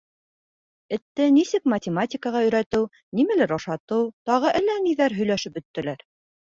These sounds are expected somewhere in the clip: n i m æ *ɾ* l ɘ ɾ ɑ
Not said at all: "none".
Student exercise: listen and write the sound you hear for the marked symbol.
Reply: none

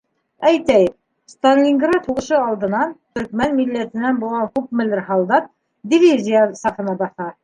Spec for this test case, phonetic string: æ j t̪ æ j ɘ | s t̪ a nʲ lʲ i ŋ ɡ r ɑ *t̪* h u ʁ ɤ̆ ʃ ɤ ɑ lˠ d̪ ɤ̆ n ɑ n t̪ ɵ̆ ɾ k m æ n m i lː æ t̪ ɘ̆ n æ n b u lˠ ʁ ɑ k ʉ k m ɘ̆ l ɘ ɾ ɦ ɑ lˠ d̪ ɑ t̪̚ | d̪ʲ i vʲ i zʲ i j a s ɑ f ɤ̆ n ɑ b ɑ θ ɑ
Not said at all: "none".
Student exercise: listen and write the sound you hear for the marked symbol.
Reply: t̪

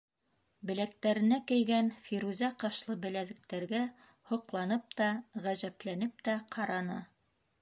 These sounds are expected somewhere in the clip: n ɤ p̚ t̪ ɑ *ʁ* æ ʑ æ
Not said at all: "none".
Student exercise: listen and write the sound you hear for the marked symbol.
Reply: ʁ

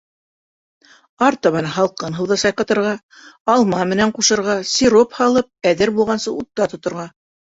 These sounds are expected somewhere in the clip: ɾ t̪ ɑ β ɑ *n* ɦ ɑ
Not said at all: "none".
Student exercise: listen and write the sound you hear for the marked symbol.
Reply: n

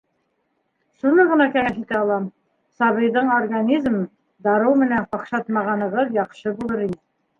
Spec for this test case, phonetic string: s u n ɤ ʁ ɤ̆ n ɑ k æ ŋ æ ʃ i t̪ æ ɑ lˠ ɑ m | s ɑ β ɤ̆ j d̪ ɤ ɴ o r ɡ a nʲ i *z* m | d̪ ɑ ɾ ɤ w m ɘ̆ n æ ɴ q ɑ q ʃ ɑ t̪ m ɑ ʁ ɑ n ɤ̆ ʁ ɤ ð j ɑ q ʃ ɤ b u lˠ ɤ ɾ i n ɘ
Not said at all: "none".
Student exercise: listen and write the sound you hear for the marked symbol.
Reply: z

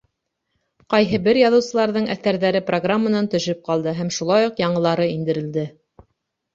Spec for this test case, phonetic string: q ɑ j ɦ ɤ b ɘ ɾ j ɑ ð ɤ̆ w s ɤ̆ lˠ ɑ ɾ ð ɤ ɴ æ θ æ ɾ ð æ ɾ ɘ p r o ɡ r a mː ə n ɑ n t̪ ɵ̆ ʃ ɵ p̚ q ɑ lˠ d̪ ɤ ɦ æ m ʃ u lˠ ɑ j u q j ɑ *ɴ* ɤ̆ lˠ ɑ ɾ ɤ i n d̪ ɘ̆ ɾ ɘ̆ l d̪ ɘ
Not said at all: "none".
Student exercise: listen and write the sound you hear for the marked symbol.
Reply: ɴ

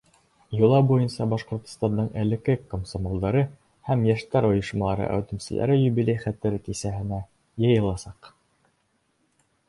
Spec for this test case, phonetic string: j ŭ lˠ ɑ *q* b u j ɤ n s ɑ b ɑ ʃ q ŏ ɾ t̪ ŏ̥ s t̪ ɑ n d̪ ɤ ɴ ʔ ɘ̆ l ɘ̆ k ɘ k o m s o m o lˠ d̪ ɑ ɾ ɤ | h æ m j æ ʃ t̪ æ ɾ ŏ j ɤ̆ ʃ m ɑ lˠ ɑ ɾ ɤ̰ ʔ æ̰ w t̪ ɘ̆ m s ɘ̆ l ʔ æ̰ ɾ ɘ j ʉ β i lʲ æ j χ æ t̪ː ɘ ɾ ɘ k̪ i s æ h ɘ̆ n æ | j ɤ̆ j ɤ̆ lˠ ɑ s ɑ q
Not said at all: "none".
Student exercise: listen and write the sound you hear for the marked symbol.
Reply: none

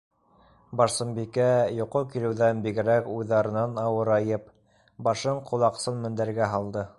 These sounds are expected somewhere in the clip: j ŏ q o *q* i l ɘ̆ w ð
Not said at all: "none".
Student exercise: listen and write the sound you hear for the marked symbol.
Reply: k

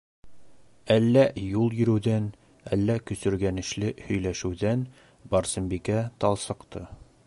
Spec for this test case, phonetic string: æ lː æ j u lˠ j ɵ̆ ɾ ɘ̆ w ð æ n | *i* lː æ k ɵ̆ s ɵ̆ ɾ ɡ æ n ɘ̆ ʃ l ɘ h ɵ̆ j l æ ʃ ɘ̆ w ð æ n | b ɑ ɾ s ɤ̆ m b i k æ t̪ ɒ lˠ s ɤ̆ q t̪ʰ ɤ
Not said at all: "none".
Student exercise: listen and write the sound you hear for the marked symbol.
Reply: æ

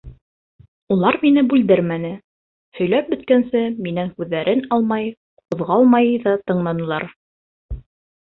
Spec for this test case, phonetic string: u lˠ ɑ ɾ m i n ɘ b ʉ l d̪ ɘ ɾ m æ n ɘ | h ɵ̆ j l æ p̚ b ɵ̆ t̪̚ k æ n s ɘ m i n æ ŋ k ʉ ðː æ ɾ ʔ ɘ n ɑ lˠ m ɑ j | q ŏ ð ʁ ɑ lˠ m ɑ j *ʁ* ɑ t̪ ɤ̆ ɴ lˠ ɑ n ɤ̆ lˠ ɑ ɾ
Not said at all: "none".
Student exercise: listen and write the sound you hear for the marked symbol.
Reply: ð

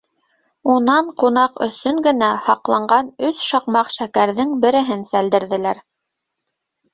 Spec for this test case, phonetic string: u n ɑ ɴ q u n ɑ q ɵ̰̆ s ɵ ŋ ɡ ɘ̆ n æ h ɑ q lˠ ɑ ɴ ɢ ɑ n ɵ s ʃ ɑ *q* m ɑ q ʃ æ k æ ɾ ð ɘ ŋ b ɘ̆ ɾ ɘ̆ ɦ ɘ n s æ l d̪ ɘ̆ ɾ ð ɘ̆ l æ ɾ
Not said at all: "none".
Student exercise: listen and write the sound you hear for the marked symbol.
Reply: q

